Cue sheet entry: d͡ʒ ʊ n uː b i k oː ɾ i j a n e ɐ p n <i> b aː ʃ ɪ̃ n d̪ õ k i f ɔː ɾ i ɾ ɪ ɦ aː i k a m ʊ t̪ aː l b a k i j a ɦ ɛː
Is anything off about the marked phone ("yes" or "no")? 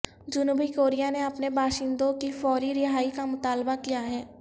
yes